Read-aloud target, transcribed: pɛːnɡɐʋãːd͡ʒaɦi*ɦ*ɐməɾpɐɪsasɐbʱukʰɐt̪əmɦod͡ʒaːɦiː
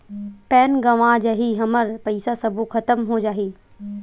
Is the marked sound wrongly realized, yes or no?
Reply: no